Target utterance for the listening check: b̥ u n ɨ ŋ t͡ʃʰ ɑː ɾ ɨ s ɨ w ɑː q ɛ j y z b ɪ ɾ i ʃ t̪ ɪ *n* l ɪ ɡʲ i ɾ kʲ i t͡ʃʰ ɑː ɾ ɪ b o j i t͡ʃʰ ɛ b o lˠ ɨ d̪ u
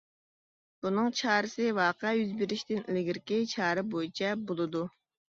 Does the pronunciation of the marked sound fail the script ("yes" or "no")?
no